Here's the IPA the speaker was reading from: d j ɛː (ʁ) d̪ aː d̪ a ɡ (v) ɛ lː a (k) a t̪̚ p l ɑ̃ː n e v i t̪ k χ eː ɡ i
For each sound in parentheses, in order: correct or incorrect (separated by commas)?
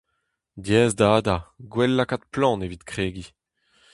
incorrect, incorrect, correct